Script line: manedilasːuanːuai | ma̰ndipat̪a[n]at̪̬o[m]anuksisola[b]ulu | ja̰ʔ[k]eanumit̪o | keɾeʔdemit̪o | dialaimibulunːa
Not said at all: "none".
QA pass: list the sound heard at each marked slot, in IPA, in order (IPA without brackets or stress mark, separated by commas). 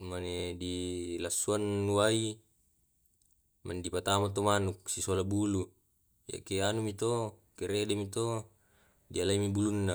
m, m, b, k